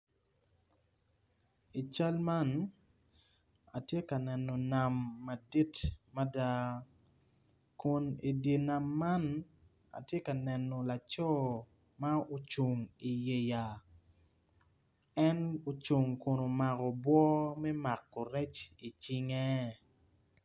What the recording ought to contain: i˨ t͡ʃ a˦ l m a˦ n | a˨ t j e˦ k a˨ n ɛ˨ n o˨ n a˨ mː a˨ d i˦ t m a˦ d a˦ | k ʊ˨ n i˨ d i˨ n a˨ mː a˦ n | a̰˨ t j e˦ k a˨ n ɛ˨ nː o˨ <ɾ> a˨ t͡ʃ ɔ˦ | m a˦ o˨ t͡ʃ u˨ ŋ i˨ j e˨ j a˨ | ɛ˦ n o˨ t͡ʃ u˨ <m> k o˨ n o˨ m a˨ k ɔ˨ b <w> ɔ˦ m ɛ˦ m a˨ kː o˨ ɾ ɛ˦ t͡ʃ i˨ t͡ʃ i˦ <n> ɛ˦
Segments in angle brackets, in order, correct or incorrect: incorrect: l, incorrect: ŋ, correct, incorrect: ŋ

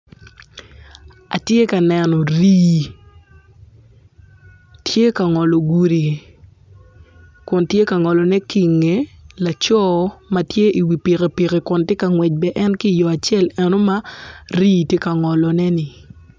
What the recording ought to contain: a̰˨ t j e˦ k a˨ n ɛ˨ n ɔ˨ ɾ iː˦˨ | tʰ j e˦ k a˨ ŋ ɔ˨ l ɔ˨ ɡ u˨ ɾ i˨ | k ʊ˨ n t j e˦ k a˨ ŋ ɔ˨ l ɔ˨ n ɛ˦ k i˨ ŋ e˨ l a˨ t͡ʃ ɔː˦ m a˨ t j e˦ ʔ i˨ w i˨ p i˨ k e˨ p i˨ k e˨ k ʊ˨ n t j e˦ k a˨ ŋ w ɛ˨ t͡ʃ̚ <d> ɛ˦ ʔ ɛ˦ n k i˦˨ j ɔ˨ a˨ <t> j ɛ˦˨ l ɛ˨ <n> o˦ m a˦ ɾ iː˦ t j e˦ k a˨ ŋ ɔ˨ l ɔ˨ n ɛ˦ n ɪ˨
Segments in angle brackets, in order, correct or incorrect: incorrect: b, incorrect: t͡ʃ, correct

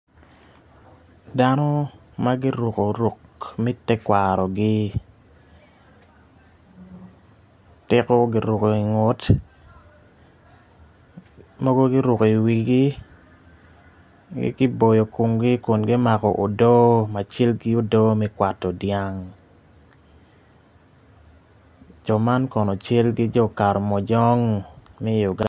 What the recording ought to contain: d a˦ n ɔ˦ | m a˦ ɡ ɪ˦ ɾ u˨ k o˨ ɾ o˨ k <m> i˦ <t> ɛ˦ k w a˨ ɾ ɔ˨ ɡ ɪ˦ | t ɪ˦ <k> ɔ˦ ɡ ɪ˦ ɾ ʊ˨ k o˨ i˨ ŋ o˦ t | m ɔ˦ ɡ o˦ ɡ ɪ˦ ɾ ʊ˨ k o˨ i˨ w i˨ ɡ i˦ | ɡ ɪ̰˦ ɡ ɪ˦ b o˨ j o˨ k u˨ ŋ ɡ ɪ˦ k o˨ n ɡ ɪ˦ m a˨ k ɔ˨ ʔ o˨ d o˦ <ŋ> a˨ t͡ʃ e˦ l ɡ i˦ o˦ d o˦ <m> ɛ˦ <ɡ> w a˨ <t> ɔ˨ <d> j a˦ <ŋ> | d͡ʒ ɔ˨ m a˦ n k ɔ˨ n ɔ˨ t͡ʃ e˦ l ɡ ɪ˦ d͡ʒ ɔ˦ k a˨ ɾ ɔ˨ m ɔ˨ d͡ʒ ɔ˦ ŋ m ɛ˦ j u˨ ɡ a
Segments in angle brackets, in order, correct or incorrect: correct, correct, correct, incorrect: m, correct, incorrect: k, correct, correct, correct

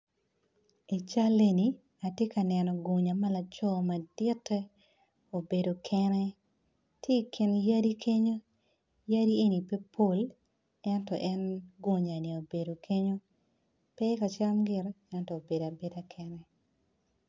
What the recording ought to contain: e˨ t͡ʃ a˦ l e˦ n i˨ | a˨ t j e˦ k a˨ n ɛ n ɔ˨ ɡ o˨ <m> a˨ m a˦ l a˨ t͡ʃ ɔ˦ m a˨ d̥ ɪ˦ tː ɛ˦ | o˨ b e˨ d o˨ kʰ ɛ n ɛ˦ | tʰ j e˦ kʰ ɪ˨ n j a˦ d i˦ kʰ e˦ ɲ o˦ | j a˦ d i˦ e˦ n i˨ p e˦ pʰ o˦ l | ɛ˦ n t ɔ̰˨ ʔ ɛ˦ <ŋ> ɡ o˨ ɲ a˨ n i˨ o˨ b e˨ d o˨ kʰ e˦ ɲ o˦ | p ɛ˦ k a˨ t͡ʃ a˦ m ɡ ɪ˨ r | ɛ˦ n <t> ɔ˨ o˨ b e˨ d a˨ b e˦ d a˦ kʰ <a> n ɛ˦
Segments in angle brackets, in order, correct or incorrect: incorrect: ɲ, incorrect: n, correct, incorrect: ɛ

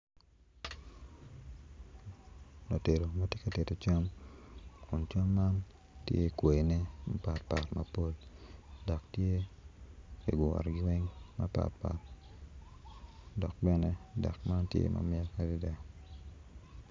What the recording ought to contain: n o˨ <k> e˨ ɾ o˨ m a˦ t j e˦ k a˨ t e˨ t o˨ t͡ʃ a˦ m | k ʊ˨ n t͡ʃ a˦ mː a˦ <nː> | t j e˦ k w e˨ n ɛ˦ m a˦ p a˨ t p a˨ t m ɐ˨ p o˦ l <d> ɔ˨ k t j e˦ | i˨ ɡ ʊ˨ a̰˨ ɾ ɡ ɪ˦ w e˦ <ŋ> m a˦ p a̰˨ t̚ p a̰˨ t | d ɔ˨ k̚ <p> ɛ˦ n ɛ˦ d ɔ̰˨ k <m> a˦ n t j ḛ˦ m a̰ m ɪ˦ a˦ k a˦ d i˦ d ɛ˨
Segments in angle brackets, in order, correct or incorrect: incorrect: t, incorrect: n, correct, correct, incorrect: b, correct

